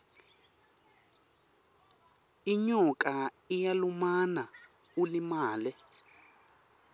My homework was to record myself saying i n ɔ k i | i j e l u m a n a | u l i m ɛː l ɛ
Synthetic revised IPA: i ɲ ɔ k a | i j a l u m a n a | u l i m aː l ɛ